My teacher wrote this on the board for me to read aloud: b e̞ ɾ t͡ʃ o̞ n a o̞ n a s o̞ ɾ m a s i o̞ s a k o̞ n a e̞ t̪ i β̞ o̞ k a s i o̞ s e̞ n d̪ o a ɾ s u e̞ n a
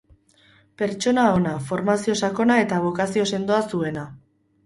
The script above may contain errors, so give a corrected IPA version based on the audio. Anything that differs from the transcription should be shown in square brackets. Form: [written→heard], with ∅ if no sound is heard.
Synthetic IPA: [b→p] e̞ ɾ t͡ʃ o̞ n a o̞ n a [s→f] o̞ ɾ m a s i o̞ s a k o̞ n a e̞ t̪ [i→a] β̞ o̞ k a s i o̞ s e̞ n d̪ o a [ɾ→∅] s u e̞ n a